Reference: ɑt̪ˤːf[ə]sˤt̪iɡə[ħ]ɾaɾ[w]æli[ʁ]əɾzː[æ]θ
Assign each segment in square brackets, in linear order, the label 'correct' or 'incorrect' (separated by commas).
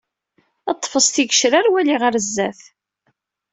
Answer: correct, incorrect, correct, correct, correct